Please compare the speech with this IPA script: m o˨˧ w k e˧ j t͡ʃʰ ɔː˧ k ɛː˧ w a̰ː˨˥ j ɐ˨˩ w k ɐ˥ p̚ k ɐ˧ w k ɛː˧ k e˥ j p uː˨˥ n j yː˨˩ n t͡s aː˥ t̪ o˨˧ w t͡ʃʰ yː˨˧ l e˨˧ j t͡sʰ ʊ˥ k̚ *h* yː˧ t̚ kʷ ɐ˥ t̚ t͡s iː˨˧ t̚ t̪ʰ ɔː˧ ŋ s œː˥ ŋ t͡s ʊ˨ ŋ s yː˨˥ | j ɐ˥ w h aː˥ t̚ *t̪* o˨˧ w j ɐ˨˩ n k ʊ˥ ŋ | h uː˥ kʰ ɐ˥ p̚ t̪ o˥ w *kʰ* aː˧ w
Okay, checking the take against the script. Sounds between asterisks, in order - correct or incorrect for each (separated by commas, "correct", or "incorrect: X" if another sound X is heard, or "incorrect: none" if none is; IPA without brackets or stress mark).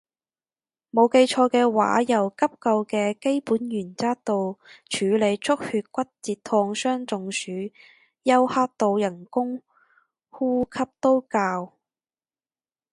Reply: correct, correct, incorrect: k